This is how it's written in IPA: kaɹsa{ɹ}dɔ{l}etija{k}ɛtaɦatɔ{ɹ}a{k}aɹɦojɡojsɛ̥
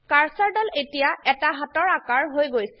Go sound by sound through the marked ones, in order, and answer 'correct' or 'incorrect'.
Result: correct, correct, incorrect, correct, correct

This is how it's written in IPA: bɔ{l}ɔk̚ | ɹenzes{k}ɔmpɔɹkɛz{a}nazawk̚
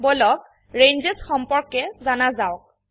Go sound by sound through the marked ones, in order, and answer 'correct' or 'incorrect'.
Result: correct, incorrect, correct

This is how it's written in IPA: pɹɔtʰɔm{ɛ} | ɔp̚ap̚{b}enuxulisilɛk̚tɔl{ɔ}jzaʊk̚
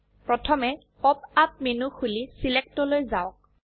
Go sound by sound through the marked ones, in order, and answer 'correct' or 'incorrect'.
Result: correct, incorrect, incorrect

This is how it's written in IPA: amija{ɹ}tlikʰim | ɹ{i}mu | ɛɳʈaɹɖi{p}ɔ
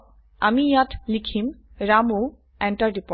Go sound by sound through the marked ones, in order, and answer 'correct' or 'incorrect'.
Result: incorrect, incorrect, correct

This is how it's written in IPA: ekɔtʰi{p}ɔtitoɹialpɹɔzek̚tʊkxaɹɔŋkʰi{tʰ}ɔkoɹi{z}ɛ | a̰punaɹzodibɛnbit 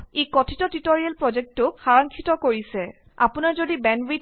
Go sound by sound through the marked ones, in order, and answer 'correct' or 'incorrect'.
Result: incorrect, incorrect, incorrect

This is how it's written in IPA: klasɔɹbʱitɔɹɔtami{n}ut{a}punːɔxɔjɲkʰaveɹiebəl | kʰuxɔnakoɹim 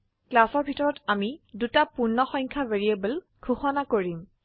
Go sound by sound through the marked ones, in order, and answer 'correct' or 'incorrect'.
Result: incorrect, correct

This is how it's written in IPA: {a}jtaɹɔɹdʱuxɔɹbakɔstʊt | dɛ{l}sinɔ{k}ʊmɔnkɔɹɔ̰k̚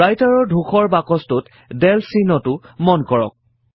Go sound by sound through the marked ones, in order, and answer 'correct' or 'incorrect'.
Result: correct, correct, incorrect

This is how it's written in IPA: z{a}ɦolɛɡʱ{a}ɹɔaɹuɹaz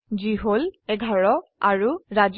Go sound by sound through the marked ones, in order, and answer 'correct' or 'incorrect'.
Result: incorrect, correct

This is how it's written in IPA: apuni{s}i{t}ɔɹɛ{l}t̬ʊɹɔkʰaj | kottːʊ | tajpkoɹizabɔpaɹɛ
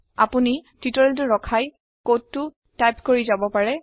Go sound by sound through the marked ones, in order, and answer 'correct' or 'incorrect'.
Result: incorrect, correct, correct

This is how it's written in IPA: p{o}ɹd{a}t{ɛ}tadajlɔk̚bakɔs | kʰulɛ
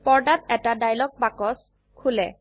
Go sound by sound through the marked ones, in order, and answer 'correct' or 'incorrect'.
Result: incorrect, correct, correct

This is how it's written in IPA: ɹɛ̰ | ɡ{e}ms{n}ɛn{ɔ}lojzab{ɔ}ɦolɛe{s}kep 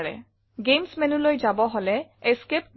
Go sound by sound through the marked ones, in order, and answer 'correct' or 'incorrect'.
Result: correct, incorrect, incorrect, correct, correct

